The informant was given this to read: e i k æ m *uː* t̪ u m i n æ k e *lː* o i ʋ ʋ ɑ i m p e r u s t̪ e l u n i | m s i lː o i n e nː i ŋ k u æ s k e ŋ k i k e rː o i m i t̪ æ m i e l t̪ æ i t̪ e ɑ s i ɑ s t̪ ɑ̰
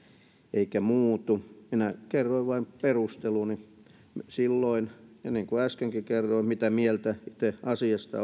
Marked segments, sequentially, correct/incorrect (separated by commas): correct, incorrect